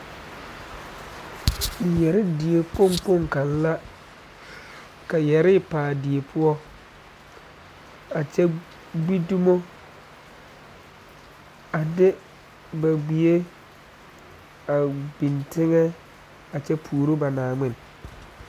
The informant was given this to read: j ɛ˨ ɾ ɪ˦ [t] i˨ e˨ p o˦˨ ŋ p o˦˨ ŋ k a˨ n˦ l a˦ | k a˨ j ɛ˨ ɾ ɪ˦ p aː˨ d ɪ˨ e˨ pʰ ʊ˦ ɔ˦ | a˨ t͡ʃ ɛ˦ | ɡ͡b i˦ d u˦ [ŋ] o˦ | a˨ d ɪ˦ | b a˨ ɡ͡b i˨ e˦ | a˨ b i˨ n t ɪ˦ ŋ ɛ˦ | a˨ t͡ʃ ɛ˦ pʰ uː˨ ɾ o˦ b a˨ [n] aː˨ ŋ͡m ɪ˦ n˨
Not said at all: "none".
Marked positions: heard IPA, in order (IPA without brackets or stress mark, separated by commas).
d, m, n